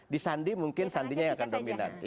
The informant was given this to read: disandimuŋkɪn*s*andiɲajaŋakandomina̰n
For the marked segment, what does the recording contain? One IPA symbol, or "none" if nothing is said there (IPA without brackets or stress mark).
s